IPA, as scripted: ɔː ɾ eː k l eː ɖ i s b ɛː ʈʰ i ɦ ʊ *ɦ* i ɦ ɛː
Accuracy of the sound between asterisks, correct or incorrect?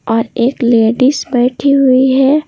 incorrect